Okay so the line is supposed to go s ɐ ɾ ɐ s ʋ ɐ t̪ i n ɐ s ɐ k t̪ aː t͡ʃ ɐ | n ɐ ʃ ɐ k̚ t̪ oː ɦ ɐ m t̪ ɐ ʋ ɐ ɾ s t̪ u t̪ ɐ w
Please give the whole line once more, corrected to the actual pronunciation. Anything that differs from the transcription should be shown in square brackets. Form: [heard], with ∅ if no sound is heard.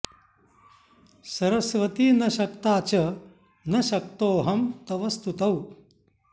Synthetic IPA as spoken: s ɐ ɾ ɐ s ʋ ɐ t̪ i n ɐ [ʃ] ɐ k t̪ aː t͡ʃ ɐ | n ɐ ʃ ɐ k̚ t̪ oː ɦ ɐ m t̪ ɐ ʋ ɐ [∅] s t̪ u t̪ ɐ w